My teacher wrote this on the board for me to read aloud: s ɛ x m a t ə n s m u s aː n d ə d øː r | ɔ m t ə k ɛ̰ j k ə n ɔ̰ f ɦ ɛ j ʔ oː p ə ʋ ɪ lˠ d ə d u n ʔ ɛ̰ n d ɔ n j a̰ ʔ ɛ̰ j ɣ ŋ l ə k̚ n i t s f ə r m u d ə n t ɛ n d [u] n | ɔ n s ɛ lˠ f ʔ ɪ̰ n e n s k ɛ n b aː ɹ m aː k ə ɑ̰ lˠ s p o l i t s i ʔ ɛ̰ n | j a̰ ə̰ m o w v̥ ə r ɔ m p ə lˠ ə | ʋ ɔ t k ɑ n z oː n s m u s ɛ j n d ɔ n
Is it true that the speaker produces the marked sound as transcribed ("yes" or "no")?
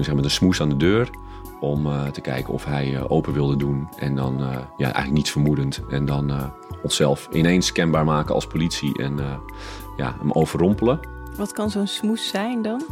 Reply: no